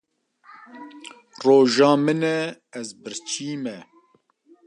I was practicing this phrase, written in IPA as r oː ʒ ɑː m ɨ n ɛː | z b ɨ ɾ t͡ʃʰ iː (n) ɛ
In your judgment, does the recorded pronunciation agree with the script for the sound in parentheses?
no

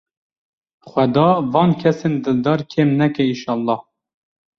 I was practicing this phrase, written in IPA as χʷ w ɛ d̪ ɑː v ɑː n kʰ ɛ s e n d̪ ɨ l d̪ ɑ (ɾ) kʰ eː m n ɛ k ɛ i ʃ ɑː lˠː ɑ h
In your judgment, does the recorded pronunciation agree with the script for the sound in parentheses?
yes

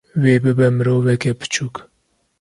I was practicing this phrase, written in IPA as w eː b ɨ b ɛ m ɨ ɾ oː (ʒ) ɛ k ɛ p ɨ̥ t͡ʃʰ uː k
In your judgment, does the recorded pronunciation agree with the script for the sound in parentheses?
no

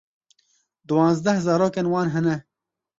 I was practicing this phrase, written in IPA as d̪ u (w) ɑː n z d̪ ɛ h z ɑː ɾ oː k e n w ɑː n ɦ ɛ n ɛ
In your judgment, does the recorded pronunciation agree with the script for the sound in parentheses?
yes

